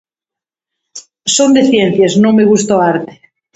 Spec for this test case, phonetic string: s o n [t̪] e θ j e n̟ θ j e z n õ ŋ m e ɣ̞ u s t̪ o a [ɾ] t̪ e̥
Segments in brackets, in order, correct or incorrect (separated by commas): incorrect, correct